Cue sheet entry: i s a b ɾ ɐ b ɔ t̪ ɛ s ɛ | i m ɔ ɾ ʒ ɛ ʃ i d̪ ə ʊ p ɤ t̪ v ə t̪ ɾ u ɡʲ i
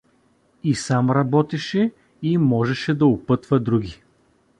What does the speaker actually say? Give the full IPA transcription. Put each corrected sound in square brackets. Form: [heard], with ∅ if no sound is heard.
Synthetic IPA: i s a [m] ɾ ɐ b ɔ t̪ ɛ [ʃ] ɛ | i m ɔ [∅] ʒ ɛ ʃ [ɛ] d̪ [ɐ] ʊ p ɤ t̪ v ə [d̪] ɾ u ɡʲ i